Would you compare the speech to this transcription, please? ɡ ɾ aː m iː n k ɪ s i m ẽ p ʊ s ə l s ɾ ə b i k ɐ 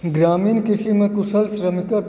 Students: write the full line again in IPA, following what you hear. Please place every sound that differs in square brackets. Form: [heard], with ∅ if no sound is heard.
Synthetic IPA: ɡ ɾ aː m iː n k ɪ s i m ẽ [k] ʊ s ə l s ɾ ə [m] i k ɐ

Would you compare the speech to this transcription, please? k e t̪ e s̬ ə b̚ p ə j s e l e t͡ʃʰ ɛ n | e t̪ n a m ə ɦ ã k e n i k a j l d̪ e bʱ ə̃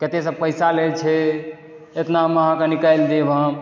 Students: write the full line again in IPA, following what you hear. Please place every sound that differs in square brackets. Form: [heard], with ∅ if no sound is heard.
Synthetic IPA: k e t̪ e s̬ ə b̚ p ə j s [a] l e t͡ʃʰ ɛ [∅] | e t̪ n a m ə ɦ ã k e n i k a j l d̪ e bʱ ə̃

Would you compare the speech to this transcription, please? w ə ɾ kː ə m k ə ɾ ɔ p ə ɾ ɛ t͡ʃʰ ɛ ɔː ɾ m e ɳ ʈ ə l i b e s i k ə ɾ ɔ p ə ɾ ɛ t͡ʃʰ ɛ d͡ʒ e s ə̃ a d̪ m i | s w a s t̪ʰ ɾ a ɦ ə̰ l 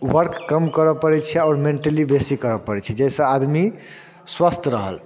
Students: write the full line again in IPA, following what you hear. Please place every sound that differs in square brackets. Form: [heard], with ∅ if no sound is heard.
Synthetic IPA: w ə ɾ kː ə m k ə ɾ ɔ p ə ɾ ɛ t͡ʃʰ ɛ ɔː ɾ m e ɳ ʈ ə l i b e s i k ə ɾ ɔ p ə ɾ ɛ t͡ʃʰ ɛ d͡ʒ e s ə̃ a d̪ m i | s w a s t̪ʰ ɾ [ə] ɦ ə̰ l

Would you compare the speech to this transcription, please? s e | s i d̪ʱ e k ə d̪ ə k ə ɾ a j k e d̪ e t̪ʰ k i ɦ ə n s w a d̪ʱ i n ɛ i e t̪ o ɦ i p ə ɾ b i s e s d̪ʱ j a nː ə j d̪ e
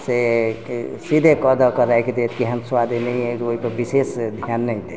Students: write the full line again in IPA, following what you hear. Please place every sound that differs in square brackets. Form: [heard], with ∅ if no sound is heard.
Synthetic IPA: s e | s i d̪ʱ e k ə d̪ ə k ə ɾ a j k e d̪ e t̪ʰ k i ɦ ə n s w a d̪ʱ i n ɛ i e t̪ o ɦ i p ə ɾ b i s e s d̪ʱ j a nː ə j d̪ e

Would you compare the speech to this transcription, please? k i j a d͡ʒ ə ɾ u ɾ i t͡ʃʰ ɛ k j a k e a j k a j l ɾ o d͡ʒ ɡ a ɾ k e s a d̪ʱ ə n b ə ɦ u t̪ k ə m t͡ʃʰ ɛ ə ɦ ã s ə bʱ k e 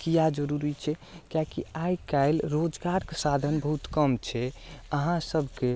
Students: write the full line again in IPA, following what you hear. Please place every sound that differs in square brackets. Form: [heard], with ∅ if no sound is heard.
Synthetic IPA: k i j a d͡ʒ ə ɾ u ɾ i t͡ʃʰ ɛ k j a k [i] a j k a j l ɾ o d͡ʒ ɡ a ɾ k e s a d̪ʱ ə n b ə ɦ u t̪ k ə m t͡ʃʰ ɛ ə ɦ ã s ə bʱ k e

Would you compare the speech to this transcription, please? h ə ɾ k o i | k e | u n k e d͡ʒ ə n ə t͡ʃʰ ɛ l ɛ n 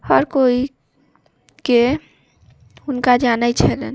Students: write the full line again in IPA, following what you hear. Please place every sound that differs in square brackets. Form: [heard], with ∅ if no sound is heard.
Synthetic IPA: h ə ɾ k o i | k e | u n k [a] d͡ʒ [a] n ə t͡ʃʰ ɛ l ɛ n

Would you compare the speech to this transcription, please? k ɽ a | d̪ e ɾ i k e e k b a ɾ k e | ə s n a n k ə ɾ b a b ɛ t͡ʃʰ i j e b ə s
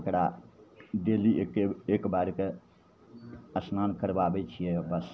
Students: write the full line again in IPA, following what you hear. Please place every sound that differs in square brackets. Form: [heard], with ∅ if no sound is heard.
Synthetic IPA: k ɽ a | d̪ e [l] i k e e k b a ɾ k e | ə s n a n k ə ɾ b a b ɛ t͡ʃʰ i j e b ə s

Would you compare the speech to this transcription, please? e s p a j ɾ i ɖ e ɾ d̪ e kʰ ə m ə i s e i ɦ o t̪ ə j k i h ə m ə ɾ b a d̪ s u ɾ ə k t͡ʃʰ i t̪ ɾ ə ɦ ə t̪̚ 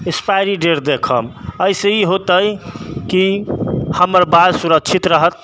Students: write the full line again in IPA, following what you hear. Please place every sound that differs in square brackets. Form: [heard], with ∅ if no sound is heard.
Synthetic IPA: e s p a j ɾ i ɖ e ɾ d̪ e kʰ ə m ə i s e i ɦ o t̪ ə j k i h ə m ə ɾ b a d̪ s u ɾ ə k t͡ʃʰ i t̪ ɾ ə ɦ ə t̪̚

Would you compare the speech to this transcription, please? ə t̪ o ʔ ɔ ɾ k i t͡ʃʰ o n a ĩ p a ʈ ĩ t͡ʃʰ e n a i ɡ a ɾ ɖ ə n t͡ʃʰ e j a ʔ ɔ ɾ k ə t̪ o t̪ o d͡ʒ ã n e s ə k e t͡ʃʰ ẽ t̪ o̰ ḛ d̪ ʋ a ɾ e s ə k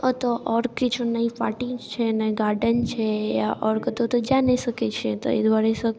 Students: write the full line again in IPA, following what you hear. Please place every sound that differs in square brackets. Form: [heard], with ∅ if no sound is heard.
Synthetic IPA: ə t̪ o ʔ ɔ ɾ k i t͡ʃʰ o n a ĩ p a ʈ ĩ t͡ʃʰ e n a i ɡ a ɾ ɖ ə n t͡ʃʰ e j a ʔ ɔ ɾ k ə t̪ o t̪ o d͡ʒ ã n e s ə k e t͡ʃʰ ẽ t̪ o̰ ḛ d̪ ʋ a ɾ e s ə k

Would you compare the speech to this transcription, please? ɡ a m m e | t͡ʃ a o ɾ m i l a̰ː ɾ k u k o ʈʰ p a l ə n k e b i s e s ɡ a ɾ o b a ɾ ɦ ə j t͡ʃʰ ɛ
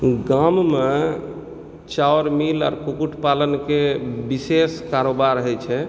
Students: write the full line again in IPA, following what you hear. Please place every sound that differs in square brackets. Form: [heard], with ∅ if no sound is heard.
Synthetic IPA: ɡ a m m e | t͡ʃ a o ɾ m i l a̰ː ɾ k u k [u] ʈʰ p a l ə n k e b i s e s [k] a ɾ o b a ɾ ɦ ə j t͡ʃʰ ɛ

